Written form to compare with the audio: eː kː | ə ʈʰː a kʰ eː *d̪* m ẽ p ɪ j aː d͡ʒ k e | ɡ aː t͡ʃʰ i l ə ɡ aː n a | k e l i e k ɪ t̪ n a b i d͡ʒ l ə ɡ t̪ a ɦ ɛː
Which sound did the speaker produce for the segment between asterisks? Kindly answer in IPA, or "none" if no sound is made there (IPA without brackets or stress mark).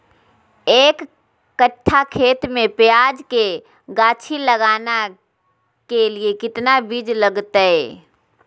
t̪